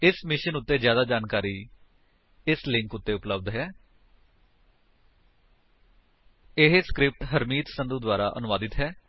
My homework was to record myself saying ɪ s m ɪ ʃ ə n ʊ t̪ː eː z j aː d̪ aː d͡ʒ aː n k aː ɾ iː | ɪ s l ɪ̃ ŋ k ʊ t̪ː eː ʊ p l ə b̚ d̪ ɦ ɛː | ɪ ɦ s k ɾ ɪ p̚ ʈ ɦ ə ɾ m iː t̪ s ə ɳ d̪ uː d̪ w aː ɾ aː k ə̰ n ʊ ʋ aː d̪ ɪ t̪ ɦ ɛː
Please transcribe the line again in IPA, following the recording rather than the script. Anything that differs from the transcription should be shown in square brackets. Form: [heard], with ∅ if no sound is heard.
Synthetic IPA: ɪ s m ɪ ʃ ə n ʊ t̪ː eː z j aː d̪ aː d͡ʒ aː n k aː ɾ iː | ɪ s l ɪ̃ ŋ k ʊ t̪ː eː ʊ p l ə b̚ d̪ ɦ ɛː | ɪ ɦ s k ɾ ɪ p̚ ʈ ɦ ə ɾ m iː t̪ s ə [n] d̪ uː d̪ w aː ɾ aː [ʔ] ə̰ n ʊ ʋ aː d̪ ɪ t̪ ɦ ɛː